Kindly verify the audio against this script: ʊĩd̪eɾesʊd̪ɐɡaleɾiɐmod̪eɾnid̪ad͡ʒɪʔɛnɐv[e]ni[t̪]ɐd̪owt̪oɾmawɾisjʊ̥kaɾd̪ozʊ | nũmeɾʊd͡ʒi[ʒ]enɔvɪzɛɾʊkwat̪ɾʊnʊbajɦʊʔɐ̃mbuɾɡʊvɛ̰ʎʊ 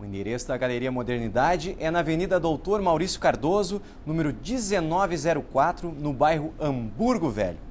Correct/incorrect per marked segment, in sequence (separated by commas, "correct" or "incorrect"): correct, incorrect, incorrect